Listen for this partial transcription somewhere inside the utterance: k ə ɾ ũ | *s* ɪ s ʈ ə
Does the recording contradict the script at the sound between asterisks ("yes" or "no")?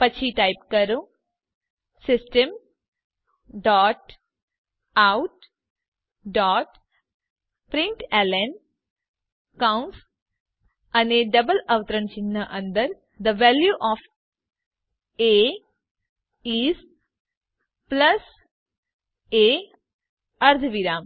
no